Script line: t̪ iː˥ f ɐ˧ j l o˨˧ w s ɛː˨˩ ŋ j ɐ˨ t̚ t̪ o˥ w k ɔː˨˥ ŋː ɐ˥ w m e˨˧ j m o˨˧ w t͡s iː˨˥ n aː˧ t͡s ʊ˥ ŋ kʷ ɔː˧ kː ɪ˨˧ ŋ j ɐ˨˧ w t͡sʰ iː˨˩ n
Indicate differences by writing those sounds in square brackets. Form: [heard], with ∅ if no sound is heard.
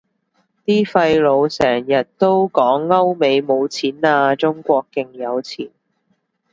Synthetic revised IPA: t̪ iː˥ f ɐ˧ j l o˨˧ w s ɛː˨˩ ŋ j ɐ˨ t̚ t̪ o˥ w k ɔː˨˥ ŋː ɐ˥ w m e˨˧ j m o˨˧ w [t͡sʰ] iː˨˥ n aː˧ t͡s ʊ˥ ŋ kʷ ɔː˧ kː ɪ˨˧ ŋ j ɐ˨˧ w t͡sʰ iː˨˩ n